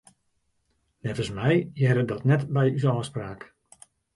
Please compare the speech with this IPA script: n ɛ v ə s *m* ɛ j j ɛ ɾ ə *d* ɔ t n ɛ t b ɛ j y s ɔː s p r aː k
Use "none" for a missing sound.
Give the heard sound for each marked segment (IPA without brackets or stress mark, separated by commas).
m, d